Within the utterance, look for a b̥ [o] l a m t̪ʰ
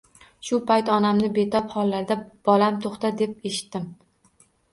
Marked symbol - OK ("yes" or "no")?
no